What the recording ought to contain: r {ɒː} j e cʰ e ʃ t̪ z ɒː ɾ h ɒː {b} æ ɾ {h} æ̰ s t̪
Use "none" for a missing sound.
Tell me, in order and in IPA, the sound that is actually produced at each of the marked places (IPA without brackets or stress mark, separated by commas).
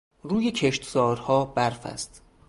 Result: uː, b, f